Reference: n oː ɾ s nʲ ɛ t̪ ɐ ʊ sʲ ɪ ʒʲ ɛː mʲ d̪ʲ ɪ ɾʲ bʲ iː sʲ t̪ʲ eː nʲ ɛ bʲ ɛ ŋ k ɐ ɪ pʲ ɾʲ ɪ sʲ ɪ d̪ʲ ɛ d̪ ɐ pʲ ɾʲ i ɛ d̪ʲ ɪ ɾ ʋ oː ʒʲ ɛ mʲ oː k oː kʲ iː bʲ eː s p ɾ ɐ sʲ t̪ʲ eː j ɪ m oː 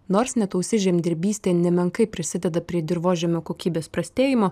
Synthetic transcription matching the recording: n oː ɾ s nʲ ɛ t̪ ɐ ʊ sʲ ɪ ʒʲ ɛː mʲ d̪ʲ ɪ ɾʲ bʲ iː sʲ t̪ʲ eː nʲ ɛ mʲ ɛ ŋ k ɐ ɪ pʲ ɾʲ ɪ sʲ ɪ d̪ʲ ɛ d̪ ɐ pʲ ɾʲ i ɛ d̪ʲ ɪ ɾ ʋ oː ʒʲ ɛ mʲ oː k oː kʲ iː bʲ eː s p ɾ ɐ sʲ t̪ʲ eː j ɪ m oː